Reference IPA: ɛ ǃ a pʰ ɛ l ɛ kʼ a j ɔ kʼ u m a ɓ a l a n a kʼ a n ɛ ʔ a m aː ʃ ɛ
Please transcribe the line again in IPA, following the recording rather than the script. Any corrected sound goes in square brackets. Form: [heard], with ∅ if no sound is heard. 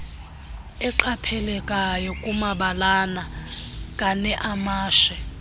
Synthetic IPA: ɛ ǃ a pʰ ɛ l ɛ kʼ a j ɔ kʼ u m a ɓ a l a n a kʼ a n ɛ ʔ a m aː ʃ ɛ